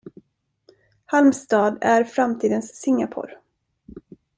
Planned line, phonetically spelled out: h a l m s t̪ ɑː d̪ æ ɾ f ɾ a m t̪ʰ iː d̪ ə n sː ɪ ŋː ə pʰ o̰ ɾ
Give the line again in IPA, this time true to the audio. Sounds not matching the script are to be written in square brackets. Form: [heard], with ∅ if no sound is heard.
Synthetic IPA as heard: h a l m s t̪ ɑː d̪ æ ɾ f ɾ a m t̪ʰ iː d̪ ə n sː ɪ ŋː [a] pʰ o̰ ɾ